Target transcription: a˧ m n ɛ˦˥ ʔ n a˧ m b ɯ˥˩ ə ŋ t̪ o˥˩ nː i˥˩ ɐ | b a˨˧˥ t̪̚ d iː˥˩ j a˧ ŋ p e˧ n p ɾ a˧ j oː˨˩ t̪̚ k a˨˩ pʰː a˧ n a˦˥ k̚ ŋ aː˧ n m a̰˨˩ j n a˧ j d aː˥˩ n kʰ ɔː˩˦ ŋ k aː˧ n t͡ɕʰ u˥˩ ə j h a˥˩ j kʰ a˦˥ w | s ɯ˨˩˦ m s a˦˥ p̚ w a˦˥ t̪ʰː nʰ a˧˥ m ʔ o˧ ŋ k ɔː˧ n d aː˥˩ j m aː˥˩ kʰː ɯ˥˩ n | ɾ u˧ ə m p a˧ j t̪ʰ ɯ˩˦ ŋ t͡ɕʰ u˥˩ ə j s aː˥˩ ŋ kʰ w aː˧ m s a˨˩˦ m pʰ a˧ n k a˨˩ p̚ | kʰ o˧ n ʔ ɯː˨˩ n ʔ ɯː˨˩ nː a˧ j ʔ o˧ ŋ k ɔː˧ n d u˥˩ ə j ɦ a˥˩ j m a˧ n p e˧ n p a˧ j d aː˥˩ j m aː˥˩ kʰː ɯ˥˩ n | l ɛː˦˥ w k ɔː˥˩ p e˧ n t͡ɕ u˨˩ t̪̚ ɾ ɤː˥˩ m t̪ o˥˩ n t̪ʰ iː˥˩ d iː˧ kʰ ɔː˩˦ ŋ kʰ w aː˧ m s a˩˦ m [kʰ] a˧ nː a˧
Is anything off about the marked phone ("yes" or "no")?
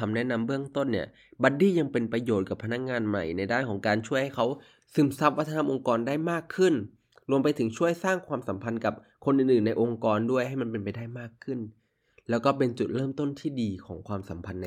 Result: yes